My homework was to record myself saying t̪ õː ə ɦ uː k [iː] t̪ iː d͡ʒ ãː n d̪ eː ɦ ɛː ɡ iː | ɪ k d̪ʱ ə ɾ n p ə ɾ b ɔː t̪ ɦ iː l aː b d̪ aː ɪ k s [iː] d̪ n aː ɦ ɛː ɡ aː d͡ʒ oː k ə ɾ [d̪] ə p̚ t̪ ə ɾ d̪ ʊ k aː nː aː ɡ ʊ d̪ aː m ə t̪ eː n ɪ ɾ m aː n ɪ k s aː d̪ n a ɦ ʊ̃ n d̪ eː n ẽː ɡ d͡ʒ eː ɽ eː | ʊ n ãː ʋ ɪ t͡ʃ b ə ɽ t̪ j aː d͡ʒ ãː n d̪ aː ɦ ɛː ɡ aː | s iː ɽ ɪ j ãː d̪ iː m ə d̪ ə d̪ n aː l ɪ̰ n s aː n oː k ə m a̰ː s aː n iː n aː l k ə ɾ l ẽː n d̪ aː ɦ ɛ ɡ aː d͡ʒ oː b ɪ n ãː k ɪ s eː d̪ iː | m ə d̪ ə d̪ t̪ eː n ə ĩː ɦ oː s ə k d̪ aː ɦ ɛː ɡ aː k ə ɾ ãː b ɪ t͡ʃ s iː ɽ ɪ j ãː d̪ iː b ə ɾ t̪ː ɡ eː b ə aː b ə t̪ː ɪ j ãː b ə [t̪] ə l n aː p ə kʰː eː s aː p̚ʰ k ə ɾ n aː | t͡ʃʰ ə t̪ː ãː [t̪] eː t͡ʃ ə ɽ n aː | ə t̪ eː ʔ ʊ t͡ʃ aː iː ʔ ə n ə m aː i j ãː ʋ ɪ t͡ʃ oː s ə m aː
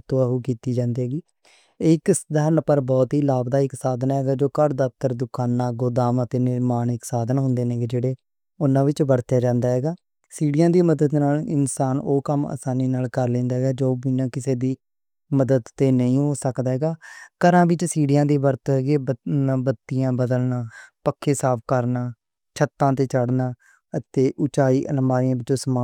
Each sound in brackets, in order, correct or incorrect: correct, incorrect: aː, correct, incorrect: d̪, correct

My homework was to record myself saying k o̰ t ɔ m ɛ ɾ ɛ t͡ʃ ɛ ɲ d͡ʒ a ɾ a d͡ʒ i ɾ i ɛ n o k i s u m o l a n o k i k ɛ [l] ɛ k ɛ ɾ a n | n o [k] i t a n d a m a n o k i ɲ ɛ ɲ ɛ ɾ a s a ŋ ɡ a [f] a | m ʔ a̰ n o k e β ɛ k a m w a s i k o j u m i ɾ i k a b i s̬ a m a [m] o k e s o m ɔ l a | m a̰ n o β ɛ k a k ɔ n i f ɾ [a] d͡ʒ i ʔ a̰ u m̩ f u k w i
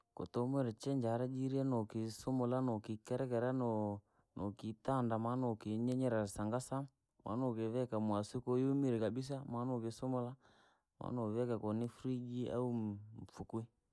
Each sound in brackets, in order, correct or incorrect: incorrect: ɾ, correct, incorrect: s, incorrect: n, incorrect: i

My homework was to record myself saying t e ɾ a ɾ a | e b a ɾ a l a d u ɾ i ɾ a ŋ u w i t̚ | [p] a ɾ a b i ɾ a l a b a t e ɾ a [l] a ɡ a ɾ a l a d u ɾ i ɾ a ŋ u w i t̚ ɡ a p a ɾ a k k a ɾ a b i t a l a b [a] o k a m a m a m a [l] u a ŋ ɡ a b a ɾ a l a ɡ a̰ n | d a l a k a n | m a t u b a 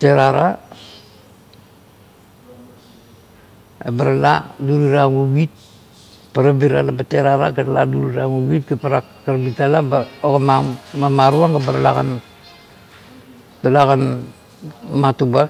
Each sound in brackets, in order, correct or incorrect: correct, incorrect: ɾ, correct, incorrect: ɾ

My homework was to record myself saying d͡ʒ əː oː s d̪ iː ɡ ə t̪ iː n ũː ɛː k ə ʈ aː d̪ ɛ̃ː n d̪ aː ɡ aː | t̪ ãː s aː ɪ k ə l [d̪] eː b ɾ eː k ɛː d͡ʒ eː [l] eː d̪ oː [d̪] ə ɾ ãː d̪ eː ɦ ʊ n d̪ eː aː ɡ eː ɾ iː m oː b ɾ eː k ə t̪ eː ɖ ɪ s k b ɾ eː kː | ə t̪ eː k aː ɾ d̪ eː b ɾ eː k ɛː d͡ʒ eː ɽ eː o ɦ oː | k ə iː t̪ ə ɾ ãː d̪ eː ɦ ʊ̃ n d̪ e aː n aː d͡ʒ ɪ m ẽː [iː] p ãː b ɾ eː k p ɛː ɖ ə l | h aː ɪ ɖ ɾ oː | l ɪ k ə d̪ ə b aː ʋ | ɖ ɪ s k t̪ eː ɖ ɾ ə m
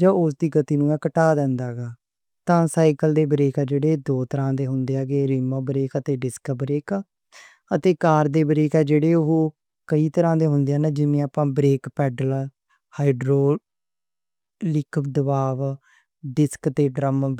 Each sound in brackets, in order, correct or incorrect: correct, incorrect: ɽ, incorrect: t̪, incorrect: aː

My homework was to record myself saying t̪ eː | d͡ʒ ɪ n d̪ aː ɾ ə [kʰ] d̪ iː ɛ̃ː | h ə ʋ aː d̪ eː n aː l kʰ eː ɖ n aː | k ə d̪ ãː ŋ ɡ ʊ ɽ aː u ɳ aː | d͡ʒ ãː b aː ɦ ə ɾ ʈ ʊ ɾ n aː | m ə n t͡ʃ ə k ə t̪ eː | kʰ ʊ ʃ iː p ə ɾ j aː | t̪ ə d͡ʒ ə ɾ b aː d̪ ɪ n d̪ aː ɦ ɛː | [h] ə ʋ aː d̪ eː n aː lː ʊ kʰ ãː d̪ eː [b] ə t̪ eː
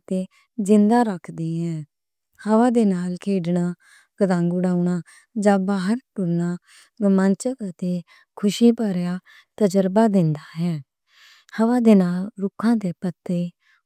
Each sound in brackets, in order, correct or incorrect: correct, correct, incorrect: p

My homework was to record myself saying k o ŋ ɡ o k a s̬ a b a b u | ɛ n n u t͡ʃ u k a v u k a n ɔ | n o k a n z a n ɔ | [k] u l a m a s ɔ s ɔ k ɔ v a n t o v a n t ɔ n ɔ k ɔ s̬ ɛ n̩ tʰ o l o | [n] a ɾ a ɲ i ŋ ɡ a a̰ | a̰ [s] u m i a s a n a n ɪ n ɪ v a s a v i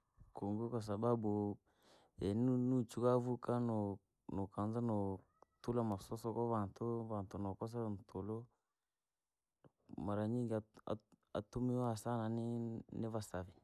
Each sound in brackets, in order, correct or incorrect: incorrect: t, incorrect: m, incorrect: t

